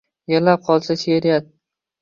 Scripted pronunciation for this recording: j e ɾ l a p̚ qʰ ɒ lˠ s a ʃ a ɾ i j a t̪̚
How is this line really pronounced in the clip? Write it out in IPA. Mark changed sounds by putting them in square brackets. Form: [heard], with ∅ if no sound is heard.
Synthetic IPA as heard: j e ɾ l a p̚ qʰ ɒ lˠ s a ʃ [e] ɾ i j a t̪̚